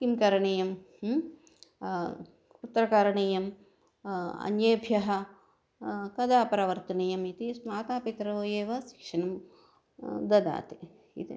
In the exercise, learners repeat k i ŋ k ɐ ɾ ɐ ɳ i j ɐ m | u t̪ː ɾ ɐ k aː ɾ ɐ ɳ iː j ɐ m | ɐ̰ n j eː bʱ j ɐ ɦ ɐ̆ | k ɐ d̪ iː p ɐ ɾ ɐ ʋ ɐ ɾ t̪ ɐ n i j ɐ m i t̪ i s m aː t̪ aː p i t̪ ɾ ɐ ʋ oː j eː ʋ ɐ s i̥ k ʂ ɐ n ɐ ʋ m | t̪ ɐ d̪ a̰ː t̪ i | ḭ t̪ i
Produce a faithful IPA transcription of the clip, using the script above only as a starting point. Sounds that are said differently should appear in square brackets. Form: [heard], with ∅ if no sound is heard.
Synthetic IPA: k i [m] k ɐ ɾ ɐ ɳ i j ɐ m | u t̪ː ɾ ɐ k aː ɾ ɐ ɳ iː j ɐ m | ɐ̰ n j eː bʱ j ɐ ɦ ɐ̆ | k ɐ d̪ [aː] p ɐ ɾ ɐ ʋ ɐ ɾ t̪ ɐ n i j ɐ m i t̪ i s m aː t̪ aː p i t̪ ɾ ɐ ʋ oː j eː ʋ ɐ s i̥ k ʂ ɐ n ɐ [∅] m | [d̪] ɐ d̪ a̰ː t̪ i | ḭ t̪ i